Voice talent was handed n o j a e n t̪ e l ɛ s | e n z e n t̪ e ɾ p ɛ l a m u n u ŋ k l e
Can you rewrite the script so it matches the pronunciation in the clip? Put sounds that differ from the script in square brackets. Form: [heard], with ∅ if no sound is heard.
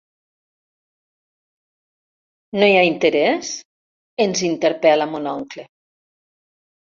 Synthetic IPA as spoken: n o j a [i] n t̪ e [ɾ] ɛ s | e n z [i] n t̪ e ɾ p ɛ l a m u n [ɔ] ŋ k l e